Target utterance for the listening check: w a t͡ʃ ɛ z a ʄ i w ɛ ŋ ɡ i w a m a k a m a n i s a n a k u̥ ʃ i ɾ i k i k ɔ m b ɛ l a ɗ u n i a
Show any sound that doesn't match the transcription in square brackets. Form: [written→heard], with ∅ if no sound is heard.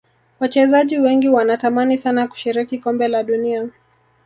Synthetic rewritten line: w a t͡ʃ ɛ z a ʄ i w ɛ ŋ ɡ i w a [m→n] a [k→t] a m a n i s a n a k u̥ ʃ i ɾ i k i k ɔ m b ɛ l a ɗ u n i a